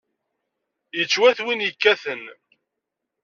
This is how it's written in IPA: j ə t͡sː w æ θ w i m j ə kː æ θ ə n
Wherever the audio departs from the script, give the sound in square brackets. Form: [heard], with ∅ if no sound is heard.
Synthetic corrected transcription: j ə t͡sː w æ θ w i [n] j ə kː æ θ ə n

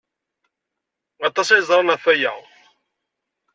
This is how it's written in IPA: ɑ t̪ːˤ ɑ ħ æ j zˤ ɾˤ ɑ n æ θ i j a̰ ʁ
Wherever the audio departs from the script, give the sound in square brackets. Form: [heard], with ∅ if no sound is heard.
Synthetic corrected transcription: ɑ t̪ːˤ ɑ [s] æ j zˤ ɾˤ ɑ n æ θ [æ] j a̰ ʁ

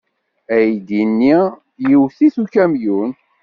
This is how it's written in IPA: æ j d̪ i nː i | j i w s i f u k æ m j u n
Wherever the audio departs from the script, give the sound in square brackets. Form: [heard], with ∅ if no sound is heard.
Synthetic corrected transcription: æ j d̪ i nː i | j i w [θ] i [θ] u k æ m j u n

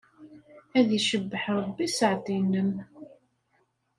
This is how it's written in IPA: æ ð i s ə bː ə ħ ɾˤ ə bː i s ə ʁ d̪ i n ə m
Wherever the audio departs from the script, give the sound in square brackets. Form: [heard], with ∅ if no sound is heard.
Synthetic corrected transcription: æ ð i [ʃ] ə bː ə ħ ɾˤ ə bː i s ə [ʕ] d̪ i n ə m

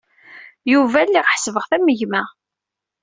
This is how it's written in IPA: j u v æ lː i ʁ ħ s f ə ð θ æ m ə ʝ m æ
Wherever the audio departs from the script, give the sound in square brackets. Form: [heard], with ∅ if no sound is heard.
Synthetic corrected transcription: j u v æ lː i ʁ ħ s [v] ə [ʁ] θ æ m ə ʝ m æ

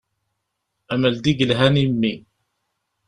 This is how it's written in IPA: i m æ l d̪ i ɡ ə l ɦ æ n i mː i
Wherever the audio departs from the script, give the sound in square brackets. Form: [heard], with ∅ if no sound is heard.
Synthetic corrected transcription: [æ] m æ l d̪ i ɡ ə l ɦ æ n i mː i

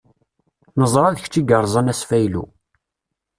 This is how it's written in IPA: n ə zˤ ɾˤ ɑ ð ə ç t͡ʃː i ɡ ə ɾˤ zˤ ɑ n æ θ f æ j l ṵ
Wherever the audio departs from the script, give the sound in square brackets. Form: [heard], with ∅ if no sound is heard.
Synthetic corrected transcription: n ə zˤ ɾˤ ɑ ð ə ç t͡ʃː i ɡ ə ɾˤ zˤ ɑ n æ [s] f æ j l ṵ

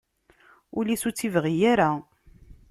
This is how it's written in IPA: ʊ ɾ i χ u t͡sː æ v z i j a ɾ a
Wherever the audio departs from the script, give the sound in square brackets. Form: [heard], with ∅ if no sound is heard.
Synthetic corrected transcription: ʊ [l] i [s] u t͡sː [i] v [ʁ] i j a ɾ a

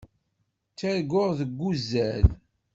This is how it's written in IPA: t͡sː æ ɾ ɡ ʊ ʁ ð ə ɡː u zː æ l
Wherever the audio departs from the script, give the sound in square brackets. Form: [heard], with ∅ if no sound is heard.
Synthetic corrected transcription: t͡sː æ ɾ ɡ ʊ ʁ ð ə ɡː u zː æ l

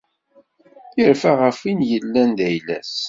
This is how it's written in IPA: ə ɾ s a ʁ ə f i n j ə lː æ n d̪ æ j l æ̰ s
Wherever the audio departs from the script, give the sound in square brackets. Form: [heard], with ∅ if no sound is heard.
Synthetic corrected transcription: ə ɾ [f] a ʁ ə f i n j ə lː æ n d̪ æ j l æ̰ s

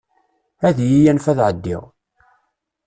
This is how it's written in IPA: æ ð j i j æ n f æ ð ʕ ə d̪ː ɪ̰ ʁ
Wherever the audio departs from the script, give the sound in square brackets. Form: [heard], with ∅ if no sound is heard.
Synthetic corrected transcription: æ ð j i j æ n f æ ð ʕ ə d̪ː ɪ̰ ʁ

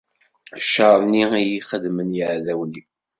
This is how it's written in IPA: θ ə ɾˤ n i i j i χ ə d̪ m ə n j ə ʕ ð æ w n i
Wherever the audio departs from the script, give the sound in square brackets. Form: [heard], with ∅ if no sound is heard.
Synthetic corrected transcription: [ʃ] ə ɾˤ n i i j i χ ə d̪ m ə n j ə ʕ ð æ w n i

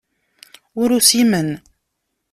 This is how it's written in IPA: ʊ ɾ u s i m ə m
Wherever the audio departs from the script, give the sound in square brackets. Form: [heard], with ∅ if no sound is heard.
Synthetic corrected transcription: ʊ ɾ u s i m ə [n]

